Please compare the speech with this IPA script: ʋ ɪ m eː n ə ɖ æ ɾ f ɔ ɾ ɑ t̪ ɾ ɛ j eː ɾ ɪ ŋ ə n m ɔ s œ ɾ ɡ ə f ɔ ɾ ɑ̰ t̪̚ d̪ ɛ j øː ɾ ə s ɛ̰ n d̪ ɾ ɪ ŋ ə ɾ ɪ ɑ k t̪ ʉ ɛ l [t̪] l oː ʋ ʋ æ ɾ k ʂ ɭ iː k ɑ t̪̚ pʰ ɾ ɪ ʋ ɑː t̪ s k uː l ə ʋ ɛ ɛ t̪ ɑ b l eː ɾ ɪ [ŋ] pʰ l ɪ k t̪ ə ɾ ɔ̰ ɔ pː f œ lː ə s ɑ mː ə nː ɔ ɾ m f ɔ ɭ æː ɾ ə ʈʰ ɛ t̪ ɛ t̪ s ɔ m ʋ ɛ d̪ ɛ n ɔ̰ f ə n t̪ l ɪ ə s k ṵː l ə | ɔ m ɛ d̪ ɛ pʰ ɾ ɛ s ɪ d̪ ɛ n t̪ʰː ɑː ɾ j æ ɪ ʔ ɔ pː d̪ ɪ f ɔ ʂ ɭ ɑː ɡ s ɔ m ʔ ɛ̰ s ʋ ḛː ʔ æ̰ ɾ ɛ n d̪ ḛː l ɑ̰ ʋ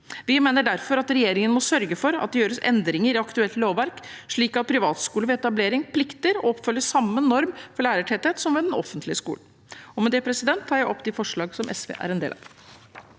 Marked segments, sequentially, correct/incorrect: correct, correct

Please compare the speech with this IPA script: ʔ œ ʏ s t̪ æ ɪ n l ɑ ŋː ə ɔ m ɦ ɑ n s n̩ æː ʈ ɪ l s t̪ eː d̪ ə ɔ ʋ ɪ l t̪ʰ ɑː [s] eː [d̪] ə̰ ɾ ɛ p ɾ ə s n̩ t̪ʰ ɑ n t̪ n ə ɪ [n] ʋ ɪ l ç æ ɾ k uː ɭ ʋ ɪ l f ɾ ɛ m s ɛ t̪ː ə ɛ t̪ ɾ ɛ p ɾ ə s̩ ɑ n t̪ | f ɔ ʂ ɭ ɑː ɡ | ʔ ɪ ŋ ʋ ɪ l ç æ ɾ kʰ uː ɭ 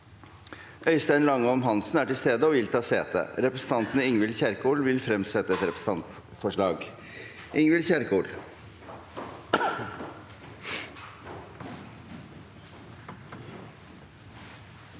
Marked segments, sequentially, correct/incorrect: correct, incorrect: t̪, incorrect: ŋ

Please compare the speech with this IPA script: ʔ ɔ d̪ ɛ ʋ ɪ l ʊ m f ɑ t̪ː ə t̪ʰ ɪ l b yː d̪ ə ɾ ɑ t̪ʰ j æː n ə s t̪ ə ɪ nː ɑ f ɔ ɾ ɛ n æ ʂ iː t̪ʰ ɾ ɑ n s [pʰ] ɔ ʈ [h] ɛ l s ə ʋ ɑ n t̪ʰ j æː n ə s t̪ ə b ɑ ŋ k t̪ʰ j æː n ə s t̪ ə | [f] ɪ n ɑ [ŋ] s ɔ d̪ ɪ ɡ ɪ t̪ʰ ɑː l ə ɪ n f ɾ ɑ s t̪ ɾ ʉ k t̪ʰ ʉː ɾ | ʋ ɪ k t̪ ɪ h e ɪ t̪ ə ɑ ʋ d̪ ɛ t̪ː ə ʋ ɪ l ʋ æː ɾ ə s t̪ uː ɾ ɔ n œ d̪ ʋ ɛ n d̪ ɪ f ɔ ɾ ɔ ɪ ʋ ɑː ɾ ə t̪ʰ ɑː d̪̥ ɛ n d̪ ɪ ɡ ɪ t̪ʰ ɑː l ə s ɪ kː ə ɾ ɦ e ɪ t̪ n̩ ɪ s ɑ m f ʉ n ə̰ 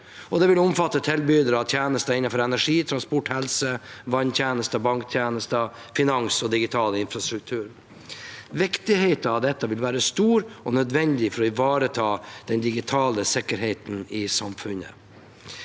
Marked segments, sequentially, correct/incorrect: incorrect: p, correct, correct, correct

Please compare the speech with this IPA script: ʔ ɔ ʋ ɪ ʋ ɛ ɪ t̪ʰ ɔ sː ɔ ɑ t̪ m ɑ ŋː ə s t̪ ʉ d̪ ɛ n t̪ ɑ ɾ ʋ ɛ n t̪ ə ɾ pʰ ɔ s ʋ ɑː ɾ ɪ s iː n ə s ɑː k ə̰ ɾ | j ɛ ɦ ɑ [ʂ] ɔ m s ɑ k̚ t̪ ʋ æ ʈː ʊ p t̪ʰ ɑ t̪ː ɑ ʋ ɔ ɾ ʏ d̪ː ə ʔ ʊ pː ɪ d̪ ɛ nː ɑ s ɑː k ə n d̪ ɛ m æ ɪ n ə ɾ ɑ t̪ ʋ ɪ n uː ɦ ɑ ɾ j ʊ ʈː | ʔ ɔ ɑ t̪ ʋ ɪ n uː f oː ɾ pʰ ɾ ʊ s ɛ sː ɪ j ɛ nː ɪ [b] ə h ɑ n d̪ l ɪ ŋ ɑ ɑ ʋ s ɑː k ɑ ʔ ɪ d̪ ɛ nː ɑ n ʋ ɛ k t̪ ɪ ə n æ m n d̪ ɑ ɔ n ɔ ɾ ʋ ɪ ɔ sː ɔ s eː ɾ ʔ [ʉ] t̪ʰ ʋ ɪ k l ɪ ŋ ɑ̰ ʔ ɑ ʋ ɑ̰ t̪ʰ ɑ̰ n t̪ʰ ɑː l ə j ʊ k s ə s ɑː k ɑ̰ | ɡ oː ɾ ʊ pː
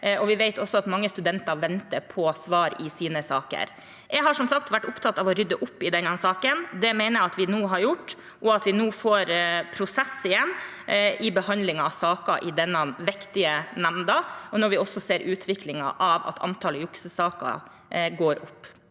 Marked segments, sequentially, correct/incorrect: correct, correct, incorrect: ʉː

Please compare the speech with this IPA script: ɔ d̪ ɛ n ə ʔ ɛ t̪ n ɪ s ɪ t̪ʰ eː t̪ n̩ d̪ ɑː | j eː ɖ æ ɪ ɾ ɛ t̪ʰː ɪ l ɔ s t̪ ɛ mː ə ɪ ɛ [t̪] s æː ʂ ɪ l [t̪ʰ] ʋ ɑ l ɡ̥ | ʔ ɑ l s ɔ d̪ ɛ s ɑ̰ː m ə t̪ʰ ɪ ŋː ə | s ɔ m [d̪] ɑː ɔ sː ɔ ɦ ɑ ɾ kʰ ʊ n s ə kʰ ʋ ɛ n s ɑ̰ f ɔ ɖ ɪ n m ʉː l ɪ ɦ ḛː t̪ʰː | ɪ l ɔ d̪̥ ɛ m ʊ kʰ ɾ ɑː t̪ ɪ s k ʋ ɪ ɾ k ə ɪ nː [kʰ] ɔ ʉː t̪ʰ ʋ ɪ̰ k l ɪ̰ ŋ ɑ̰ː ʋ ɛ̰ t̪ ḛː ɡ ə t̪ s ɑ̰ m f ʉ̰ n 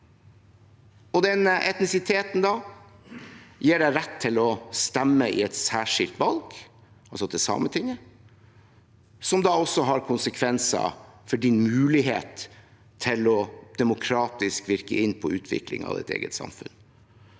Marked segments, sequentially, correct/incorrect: correct, incorrect: t̪, correct, incorrect: pʰ

